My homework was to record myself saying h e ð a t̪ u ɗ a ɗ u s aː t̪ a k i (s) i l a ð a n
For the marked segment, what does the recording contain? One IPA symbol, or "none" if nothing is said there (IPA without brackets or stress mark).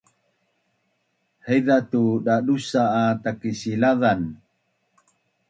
s